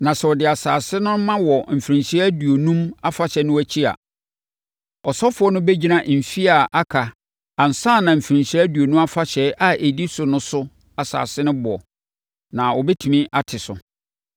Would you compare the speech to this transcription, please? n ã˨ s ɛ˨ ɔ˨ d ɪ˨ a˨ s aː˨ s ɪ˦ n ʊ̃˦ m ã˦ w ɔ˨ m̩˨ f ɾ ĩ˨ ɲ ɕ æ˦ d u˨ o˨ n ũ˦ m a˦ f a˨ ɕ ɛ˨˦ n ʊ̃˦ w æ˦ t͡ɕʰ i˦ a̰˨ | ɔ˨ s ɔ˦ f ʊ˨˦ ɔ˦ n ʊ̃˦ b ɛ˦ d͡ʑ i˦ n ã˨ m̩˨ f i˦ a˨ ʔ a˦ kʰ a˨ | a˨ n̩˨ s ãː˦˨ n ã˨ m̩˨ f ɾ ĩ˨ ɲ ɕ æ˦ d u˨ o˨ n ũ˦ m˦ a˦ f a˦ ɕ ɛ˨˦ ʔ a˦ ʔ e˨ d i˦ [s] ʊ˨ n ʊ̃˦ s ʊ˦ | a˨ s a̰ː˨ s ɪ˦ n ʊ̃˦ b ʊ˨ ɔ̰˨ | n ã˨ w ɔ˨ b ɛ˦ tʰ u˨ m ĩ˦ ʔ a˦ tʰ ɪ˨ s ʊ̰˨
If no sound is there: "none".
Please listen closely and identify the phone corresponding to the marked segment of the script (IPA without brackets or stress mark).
s